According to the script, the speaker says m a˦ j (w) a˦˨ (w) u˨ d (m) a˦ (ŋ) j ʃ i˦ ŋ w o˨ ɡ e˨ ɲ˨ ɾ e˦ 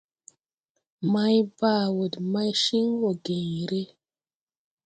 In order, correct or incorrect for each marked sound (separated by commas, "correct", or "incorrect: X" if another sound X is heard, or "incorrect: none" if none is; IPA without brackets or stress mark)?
incorrect: b, correct, correct, incorrect: none